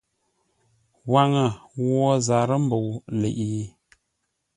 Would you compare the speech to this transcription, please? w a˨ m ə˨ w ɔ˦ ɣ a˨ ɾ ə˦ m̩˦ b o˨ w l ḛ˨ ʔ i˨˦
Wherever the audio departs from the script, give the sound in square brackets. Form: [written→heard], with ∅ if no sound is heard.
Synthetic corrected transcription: w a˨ [m→ŋ] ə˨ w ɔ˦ [ɣ→z] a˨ ɾ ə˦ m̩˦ b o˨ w l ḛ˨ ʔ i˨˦

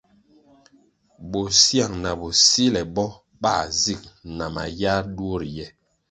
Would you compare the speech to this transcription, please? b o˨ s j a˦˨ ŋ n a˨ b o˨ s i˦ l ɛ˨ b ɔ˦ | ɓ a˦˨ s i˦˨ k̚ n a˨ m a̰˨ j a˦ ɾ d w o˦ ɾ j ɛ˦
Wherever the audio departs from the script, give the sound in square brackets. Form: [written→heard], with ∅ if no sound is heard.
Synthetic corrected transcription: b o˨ s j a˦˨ ŋ n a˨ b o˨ s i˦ l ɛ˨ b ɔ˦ | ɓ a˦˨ [s→z] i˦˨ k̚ n a˨ m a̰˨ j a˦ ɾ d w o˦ ɾ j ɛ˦

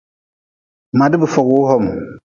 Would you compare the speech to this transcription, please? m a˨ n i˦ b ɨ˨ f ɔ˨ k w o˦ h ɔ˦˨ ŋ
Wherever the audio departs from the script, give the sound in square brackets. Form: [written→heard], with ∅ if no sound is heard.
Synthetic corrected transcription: m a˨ [n→d] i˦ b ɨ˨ f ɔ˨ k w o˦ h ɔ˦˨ [ŋ→m]

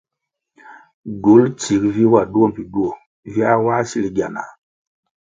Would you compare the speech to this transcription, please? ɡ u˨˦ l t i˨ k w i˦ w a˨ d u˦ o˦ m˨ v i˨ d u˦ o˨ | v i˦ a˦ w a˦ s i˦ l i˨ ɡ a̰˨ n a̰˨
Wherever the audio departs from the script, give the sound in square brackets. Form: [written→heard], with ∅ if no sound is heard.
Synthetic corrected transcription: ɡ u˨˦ l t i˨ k [w→v] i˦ w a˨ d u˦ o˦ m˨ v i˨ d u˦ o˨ | v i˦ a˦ w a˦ s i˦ l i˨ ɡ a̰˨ n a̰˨

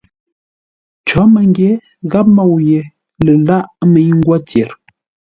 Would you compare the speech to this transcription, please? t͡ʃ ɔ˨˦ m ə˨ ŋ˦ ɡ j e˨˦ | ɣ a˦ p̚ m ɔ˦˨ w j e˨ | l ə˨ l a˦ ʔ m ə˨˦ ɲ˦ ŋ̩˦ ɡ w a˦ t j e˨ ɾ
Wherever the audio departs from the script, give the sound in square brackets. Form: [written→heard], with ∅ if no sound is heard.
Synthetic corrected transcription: t͡ʃ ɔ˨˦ m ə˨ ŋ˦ ɡ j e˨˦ | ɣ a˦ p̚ m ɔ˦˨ w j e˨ | l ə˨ l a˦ ʔ m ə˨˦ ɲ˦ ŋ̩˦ ɡ w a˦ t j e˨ ɾ

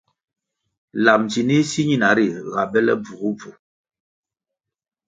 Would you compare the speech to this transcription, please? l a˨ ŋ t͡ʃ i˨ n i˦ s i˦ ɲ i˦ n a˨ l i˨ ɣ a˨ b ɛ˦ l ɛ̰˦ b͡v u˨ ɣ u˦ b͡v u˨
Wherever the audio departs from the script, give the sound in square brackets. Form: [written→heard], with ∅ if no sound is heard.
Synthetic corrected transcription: l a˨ [ŋ→m] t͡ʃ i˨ n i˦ s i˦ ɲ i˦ n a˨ [l→ɾ] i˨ ɣ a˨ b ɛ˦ l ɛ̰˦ b͡v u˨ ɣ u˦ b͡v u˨

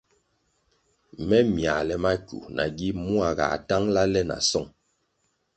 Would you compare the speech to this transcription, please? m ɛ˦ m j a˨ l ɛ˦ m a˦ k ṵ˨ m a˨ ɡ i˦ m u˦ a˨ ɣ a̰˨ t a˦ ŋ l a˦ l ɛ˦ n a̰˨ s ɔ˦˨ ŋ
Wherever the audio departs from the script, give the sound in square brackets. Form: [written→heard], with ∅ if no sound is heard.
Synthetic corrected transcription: m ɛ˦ m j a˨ l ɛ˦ m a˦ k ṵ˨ [m→n] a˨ ɡ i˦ m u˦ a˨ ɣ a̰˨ t a˦ ŋ l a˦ l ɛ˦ n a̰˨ s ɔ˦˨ ŋ

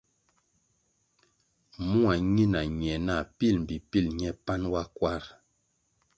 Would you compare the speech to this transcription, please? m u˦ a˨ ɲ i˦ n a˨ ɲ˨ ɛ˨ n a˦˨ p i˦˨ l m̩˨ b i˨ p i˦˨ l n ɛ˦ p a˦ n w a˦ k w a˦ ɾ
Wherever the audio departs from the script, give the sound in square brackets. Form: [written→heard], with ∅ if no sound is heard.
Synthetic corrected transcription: m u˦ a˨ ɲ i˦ n a˨ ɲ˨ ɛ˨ n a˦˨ p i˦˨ l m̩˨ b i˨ p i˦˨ l [n→ɲ] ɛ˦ p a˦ n w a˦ k w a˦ ɾ

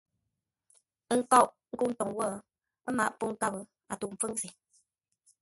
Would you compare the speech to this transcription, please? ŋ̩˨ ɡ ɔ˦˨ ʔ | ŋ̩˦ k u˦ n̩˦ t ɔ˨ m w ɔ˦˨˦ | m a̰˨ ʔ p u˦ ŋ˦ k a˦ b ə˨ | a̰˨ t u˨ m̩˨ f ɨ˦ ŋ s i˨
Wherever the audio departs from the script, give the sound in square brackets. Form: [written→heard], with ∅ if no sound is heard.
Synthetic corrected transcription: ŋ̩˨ [ɡ→k] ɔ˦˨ ʔ | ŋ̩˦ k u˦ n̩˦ t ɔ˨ [m→ŋ] w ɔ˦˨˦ | m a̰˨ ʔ p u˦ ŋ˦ k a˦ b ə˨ | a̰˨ t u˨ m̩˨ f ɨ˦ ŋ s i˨

